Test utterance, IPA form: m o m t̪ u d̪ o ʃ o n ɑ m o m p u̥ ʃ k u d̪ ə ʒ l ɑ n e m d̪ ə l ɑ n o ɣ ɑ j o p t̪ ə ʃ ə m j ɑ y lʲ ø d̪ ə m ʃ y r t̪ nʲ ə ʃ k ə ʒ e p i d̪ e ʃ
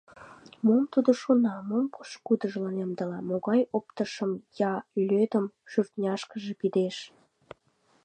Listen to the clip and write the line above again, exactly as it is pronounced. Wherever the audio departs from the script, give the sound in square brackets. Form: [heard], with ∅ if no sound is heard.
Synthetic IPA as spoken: m o m t̪ u d̪ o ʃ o n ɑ m o m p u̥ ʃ k u d̪ ə ʒ l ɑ n e m d̪ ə l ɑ [m] o ɣ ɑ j o p t̪ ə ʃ ə m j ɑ y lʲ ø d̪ ə m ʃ y r t̪ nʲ [ɑ] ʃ k ə ʒ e p i d̪ e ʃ

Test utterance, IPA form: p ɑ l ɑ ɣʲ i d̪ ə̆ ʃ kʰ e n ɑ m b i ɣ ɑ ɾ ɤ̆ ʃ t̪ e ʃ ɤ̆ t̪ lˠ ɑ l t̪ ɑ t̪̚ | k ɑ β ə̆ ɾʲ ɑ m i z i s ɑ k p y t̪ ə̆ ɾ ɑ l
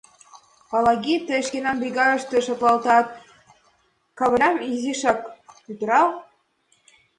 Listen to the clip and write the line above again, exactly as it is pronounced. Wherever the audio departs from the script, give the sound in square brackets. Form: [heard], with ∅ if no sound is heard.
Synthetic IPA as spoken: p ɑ l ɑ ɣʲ i [t̪] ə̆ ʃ [k] e n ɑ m b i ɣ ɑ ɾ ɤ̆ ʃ t̪ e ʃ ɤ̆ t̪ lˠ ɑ l t̪ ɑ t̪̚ | k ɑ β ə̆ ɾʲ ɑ m i z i [ʃ] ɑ k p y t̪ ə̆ ɾ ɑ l

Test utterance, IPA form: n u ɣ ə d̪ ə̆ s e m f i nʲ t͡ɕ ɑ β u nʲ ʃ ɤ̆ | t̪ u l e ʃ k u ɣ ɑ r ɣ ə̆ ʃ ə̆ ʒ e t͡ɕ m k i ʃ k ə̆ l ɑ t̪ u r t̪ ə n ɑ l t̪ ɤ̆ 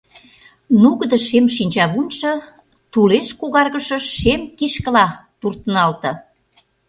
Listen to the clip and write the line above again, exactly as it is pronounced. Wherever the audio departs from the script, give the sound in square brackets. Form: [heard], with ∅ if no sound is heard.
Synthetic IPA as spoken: n u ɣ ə d̪ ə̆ [ʃ] e m [ʃ] i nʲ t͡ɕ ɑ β u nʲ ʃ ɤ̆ | t̪ u l e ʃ k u ɣ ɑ r ɣ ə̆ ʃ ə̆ [ʃ] e [∅] m k i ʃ k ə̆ l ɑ t̪ u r t̪ ə n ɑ l t̪ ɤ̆

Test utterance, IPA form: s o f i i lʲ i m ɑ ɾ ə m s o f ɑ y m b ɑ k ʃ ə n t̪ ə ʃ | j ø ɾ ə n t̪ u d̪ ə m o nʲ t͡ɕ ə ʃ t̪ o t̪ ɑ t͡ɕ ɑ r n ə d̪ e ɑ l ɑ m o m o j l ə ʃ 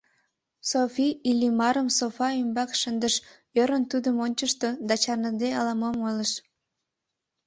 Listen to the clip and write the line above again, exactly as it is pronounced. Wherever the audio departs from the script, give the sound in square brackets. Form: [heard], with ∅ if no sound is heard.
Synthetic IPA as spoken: s o f i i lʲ i m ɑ ɾ ə m s o f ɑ y m b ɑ k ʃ ə n [d̪] ə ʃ | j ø ɾ ə n t̪ u d̪ ə m o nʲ t͡ɕ ə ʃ t̪ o [d̪] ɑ t͡ɕ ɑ r n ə d̪ e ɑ l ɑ m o m o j l ə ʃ

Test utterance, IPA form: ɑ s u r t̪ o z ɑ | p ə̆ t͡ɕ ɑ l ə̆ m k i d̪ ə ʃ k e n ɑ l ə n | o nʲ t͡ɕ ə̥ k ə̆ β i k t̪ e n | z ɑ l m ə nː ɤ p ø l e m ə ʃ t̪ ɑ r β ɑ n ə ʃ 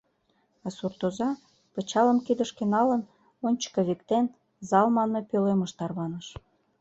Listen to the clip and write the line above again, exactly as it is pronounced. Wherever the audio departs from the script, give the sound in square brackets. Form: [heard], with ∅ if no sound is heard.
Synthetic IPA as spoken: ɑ s u r t̪ o z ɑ | p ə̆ t͡ɕ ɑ l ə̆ m k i d̪ ə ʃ k e n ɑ l ə n | o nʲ t͡ɕ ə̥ k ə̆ β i k t̪ e n | z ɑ l m [ɑ] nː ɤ p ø l e m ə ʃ t̪ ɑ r β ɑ n ə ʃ

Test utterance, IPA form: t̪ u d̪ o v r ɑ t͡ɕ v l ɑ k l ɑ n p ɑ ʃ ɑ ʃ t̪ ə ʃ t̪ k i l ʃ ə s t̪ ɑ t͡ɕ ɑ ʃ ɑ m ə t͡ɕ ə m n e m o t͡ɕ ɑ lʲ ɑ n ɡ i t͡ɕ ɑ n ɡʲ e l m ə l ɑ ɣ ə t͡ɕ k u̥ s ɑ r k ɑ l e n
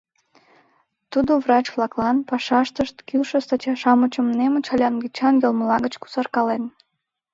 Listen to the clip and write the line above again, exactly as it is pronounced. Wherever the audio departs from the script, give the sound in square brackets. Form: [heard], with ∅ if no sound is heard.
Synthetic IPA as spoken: t̪ u d̪ o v r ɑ t͡ɕ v l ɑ k l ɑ n p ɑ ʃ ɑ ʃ t̪ ə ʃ t̪ k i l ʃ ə s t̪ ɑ t͡ɕ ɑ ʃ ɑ m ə t͡ɕ ə m n e m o t͡ɕ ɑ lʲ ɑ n ɡ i t͡ɕ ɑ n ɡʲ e l m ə l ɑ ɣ ə t͡ɕ k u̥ s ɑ r k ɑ l e n

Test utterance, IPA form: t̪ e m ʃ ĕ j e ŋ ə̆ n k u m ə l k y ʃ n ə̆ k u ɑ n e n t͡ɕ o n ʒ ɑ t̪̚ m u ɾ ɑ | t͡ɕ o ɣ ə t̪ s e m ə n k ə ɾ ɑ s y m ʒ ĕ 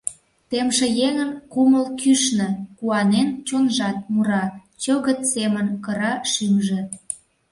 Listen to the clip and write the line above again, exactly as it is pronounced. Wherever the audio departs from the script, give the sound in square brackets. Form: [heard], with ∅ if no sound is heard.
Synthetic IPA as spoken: t̪ e m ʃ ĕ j e ŋ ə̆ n k u m ə l k y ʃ n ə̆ k u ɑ n e n t͡ɕ o n ʒ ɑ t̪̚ m u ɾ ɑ | t͡ɕ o ɣ ə t̪ s e m ə n k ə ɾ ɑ [ʃ] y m ʒ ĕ

